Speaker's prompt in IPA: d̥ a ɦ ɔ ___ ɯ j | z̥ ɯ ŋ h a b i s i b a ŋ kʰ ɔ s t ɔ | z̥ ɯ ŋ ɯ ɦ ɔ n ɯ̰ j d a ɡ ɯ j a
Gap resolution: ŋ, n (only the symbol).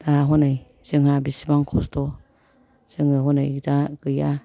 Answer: n